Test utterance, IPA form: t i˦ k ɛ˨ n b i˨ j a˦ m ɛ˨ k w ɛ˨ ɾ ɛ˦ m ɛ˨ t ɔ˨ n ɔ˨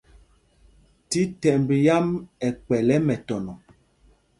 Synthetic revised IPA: t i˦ t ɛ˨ m b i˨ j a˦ m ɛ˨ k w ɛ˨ l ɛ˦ m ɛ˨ t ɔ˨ n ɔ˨